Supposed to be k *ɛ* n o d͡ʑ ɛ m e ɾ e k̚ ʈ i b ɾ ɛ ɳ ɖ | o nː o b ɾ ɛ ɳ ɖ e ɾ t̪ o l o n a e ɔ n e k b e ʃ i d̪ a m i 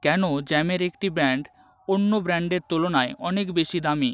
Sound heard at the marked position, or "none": ɛ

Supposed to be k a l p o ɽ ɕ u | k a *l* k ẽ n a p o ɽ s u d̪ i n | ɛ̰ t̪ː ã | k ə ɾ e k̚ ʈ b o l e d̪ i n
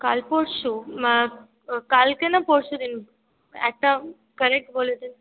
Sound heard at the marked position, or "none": l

